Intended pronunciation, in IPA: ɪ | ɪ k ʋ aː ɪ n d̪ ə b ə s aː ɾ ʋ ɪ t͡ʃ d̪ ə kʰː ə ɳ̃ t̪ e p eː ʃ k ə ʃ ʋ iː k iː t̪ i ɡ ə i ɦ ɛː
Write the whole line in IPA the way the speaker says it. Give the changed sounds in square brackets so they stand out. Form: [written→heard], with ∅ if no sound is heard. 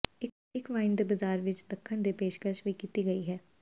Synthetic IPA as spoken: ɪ | ɪ k ʋ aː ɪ n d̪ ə b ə [s→z] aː ɾ ʋ ɪ t͡ʃ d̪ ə kʰː ə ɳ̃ [t̪→d̪] e p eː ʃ k ə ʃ ʋ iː k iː t̪ i ɡ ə i ɦ ɛː